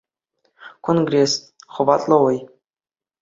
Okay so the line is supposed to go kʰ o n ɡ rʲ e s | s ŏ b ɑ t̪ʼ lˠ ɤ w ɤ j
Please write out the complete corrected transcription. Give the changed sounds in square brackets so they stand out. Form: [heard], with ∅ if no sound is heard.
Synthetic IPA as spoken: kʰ o n ɡ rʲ e s | [χ] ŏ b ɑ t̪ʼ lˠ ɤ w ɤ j